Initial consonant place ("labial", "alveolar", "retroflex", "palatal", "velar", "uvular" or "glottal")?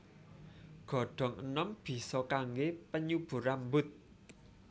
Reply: velar